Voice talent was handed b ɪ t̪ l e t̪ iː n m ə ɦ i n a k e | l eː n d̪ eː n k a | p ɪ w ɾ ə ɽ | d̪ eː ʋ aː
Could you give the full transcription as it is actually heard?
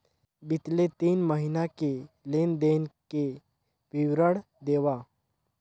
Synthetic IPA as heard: b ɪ t̪ l e t̪ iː n m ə ɦ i n a k e | l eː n d̪ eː n k e | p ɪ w ɾ ə ɽ | d̪ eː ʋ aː

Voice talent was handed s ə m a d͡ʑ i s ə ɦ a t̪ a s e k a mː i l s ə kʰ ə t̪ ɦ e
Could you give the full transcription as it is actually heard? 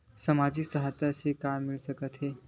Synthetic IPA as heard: s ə m a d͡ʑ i s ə ɦ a t̪ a s e k a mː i l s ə k ə t̪ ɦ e

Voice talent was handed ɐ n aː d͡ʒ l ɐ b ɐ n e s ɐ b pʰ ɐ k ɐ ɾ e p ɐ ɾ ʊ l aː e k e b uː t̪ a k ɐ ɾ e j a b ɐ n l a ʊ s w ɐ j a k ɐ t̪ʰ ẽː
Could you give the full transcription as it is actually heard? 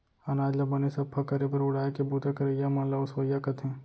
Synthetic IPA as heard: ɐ n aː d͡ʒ l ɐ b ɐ n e s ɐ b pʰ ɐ k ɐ ɾ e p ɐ ɾ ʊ ɽ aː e k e b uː t̪ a k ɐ ɾ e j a m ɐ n l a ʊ s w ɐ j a k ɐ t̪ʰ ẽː

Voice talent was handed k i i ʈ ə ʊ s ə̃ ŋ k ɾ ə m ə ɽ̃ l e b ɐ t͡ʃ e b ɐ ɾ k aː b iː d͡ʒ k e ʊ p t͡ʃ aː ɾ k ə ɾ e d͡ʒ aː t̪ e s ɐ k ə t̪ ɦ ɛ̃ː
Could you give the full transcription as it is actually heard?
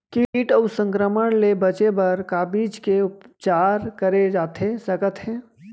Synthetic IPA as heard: k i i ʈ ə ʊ s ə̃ ŋ k ɾ ə m ə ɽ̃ l e b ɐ t͡ʃ e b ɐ ɾ k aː b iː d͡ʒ k e ʊ p t͡ʃ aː ɾ k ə ɾ e d͡ʒ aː t̪ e s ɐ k ə t̪ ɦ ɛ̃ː

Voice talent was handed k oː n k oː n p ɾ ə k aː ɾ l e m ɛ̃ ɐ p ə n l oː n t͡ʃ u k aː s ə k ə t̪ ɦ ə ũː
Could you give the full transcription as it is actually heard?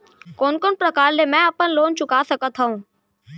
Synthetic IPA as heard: k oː n k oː n p ɾ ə k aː ɾ l e m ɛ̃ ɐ p ə n l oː n t͡ʃ ʊ k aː s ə k ə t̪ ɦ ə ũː

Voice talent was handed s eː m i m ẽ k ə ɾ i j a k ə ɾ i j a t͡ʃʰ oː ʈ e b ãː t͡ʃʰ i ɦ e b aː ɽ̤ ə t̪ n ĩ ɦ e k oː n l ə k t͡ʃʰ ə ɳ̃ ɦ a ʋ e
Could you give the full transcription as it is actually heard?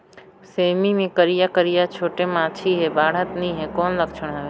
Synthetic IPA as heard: s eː m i m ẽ k ə ɾ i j a k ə ɾ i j a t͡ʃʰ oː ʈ e m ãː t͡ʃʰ i ɦ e b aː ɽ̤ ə t̪ n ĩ ɦ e k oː n l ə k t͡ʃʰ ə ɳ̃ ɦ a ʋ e

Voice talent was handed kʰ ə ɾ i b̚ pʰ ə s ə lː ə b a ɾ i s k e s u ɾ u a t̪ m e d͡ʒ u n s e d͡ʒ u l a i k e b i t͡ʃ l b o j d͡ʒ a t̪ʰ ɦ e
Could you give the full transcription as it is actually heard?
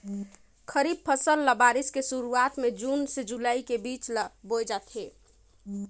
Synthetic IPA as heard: kʰ ə ɾ i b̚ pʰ ə s ə lː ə b a ɾ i s k e s u ɾ u a t̪ m e d͡ʒ u n s e d͡ʒ u l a i k e b i t͡ʃ l b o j d͡ʒ a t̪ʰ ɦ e

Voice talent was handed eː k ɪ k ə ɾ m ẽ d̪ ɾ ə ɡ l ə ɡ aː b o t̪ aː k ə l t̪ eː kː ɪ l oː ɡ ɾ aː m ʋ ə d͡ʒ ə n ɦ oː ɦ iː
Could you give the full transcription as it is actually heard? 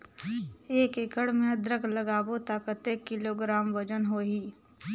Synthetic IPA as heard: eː k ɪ k ə ɽ m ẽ d̪ ɾ ə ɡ l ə ɡ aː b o t̪ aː k ə t̪ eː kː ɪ l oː ɡ ɾ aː m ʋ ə d͡ʒ ə n ɦ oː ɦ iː

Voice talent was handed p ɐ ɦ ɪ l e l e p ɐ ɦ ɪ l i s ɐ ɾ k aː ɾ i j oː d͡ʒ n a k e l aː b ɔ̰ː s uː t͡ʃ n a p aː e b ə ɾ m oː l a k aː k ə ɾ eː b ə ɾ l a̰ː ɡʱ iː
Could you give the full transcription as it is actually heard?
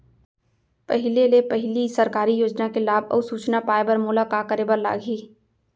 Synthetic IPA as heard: p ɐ ɦ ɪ l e l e p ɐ ɦ ɪ l i s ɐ ɾ k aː ɾ i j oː d͡ʒ n a k e l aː b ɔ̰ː s uː t͡ʃ n a p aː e b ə ɾ m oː l a k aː k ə ɾ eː b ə ɾ l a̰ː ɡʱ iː

